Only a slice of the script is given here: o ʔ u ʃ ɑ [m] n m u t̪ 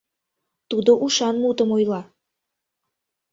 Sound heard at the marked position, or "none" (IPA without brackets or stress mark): none